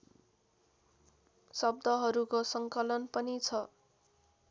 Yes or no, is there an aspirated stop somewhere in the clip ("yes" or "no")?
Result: yes